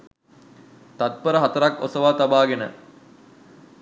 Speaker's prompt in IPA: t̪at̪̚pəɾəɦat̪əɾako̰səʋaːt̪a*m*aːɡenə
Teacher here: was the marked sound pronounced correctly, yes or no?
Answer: no